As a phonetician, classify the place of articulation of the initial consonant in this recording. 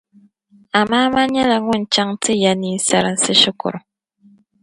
labial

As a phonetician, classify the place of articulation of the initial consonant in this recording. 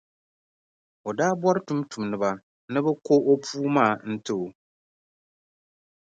alveolar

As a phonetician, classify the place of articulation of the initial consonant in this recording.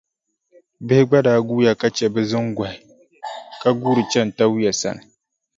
labial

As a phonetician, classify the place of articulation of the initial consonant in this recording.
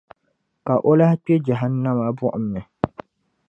velar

